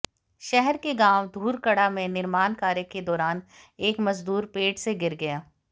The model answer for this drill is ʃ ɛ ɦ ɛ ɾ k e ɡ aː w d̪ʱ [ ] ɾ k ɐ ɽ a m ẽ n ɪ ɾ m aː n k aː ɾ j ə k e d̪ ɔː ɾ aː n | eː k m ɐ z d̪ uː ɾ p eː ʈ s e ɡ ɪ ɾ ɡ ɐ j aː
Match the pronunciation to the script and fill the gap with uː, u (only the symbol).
uː